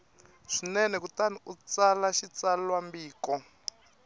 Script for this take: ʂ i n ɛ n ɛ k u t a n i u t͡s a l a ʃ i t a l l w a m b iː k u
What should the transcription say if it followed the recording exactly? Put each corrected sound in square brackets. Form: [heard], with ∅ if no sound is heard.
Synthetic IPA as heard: ʂ i n ɛ n ɛ k u t a n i u t͡s a l a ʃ i [t͡s] a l l w a m b iː k [ɔ]

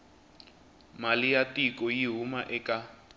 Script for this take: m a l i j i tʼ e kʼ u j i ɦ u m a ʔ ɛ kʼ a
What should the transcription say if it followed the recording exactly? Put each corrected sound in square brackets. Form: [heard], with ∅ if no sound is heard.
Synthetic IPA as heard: m a l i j [a] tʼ [i] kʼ [ɔ] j i ɦ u m a ʔ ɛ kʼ a

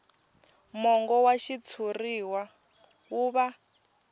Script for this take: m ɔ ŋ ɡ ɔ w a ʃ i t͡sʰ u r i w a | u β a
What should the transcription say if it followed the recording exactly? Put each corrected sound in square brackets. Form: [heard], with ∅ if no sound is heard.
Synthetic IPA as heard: m ɔ ŋ ɡ ɔ w a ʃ i t͡sʰ u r i w a | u β a

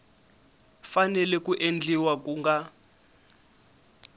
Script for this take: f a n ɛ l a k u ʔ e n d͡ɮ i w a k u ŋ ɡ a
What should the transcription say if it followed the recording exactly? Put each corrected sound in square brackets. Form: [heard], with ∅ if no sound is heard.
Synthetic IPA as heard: f a n ɛ l [ɛ] k u ʔ e n d͡ɮ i w a k u ŋ ɡ a

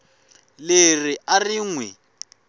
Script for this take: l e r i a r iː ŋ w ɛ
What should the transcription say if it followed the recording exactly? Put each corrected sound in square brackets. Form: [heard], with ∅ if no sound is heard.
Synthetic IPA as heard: l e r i a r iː ŋ w ɛ

